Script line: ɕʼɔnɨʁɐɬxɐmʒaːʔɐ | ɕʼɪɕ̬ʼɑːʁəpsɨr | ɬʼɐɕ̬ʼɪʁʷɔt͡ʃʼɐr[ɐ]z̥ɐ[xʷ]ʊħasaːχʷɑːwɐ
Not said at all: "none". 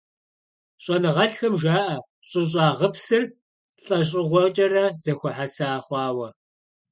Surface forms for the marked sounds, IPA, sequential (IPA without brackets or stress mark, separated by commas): ɐ, xʷ